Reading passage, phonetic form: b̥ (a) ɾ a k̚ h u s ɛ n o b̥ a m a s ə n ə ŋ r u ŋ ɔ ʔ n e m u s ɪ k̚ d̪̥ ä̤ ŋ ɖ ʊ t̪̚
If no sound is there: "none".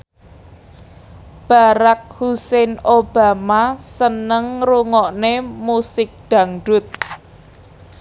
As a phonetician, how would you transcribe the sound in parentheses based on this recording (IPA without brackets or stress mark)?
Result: a